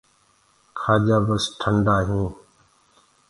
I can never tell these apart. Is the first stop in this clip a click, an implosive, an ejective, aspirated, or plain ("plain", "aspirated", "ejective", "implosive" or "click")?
aspirated